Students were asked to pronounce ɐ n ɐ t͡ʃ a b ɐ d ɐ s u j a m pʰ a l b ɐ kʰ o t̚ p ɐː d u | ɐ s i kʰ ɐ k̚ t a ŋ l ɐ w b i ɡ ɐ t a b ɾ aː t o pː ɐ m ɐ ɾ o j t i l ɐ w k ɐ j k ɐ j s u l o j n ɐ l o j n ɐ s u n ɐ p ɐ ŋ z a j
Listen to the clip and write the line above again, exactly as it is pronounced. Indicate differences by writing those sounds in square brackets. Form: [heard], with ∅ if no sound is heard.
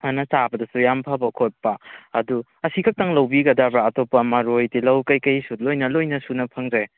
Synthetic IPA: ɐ n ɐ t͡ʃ a b ɐ d ɐ s u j a m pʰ a [∅] b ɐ kʰ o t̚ p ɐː d u | ɐ s i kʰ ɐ k̚ t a ŋ l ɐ w b i ɡ ɐ [d] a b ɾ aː t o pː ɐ m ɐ ɾ o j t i l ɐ w k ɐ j k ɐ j s u l o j n ɐ l o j n ɐ s u n ɐ [pʰ] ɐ ŋ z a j